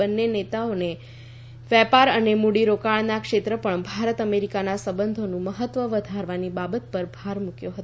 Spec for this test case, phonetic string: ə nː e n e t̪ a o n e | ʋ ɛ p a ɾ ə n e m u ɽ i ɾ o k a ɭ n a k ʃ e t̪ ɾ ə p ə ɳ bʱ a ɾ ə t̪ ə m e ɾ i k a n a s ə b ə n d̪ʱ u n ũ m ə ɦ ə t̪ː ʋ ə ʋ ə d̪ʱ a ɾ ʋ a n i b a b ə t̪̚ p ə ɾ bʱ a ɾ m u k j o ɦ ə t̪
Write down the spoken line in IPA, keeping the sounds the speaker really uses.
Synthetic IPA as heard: ə nː e n e t̪ a o n e | ʋ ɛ p a ɾ ə n e m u ɽ i ɾ o k a ɭ n a k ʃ e t̪ ɾ ə p ə ɳ bʱ a ɾ ə t̪ ə m e ɾ i k a n a s ə b ə n d̪ʱ o n ũ m ə ɦ ə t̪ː ʋ ə ʋ ə d̪ʱ a ɾ ʋ a n i b a b ə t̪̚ p ə ɾ bʱ a ɾ m u k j o ɦ ə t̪